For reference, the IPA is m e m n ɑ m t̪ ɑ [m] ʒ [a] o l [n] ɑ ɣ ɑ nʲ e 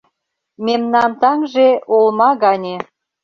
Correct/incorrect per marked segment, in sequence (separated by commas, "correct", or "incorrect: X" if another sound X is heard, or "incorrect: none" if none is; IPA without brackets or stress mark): incorrect: ŋ, incorrect: e, incorrect: m